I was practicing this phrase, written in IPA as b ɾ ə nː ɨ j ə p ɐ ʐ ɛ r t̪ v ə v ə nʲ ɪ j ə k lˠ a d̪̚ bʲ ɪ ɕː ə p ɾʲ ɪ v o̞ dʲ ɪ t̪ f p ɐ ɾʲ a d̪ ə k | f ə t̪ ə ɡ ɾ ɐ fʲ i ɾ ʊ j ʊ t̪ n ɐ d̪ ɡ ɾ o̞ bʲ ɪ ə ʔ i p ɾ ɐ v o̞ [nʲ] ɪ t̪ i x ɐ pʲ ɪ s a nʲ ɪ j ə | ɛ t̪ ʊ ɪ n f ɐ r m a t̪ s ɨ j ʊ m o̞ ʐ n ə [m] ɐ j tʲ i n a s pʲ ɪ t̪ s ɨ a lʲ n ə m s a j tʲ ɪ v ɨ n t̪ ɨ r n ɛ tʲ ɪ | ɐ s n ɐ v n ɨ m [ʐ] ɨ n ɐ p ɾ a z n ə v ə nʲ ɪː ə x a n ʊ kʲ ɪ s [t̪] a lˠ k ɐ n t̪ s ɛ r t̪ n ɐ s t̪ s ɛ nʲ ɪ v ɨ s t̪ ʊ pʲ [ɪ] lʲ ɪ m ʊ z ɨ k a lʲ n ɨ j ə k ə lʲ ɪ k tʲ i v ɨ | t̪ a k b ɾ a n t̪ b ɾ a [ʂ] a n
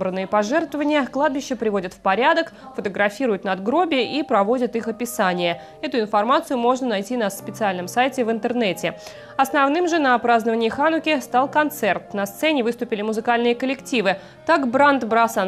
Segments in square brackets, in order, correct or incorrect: incorrect: dʲ, incorrect: n, correct, correct, correct, incorrect: s

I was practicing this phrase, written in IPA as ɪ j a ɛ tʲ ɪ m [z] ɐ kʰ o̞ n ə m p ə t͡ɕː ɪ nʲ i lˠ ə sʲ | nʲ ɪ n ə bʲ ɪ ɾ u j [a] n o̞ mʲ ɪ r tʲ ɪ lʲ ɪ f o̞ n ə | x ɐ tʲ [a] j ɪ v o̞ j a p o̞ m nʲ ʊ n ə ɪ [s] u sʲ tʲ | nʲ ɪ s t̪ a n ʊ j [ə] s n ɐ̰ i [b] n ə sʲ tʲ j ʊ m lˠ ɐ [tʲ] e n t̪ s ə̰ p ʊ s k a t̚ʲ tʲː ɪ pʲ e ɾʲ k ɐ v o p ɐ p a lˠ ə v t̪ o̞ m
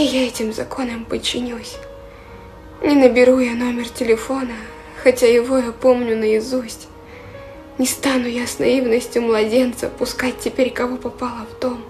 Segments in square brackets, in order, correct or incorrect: correct, correct, correct, incorrect: z, incorrect: a, incorrect: v, incorrect: dʲ

